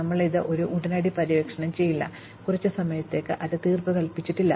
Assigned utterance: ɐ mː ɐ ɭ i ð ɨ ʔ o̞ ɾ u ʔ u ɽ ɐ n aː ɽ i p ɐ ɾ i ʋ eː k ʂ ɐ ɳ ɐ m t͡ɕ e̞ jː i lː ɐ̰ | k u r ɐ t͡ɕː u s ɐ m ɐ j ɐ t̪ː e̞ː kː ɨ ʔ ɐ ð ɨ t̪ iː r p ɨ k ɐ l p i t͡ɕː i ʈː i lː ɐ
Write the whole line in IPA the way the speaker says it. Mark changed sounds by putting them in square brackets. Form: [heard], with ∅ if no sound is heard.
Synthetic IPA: ɐ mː ɐ ɭ i ð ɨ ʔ o̞ ɾ u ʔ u ɽ ɐ n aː ɽ i p ɐ ɾ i ʋ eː k ʂ ɐ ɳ ɐ m t͡ɕ e̞ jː i lː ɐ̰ | k u r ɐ t͡ɕː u s ɐ m ɐ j ɐ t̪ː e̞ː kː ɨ ʔ ɐ ð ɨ t̪ iː r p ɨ k ɐ l p i t͡ɕː i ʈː i lː ɐ